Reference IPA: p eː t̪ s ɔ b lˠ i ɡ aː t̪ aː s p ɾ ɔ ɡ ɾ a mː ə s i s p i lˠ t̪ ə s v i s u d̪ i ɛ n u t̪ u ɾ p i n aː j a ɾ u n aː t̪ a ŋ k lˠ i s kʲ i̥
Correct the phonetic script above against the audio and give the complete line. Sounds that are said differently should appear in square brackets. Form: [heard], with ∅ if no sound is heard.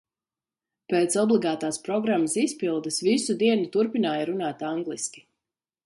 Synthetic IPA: p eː t̪ s ɔ b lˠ i ɡ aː t̪ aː s p ɾ ɔ ɡ ɾ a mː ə s i s p i lˠ [d̪] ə s v i s u d̪ i ɛ n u t̪ u ɾ p i n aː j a ɾ u n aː t̪ a ŋ [ɡ] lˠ i s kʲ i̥